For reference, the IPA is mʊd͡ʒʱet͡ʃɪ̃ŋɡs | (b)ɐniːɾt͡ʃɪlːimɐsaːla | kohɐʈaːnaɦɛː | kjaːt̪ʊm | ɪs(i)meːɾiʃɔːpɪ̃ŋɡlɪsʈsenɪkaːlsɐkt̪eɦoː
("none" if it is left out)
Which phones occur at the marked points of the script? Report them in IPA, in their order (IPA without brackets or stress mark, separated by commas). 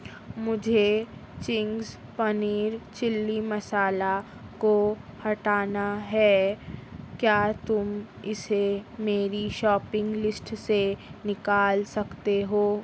p, e